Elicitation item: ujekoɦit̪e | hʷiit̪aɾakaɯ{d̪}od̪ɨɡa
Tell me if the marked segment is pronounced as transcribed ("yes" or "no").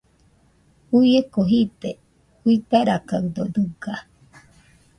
yes